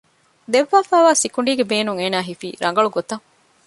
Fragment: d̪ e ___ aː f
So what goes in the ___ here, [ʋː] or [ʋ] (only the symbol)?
ʋː